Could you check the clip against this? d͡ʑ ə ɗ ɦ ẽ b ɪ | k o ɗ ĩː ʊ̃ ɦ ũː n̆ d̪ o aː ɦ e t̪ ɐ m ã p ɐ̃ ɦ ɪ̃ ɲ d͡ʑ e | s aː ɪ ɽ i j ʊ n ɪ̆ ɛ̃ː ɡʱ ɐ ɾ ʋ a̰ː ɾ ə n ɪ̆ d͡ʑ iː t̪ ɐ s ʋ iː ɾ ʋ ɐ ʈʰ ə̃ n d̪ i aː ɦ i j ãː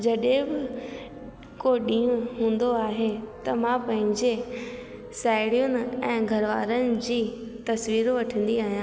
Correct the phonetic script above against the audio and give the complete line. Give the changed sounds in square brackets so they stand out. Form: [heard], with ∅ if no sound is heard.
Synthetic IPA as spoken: d͡ʑ [ɐ] ɗ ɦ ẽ b ɪ | k o ɗ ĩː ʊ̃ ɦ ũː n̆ d̪ o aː ɦ e t̪ ɐ m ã p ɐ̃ ɦ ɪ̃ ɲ d͡ʑ e | s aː ɪ ɽ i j ʊ n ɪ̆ ɛ̃ː ɡʱ ɐ ɾ ʋ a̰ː ɾ ə n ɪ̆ d͡ʑ iː t̪ ɐ s ʋ iː ɾ ʋ ɐ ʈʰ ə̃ n d̪ i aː ɦ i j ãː